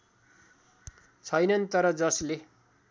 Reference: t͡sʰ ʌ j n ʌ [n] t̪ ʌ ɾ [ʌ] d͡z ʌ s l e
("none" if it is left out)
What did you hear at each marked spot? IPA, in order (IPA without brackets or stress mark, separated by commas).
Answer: n, ʌ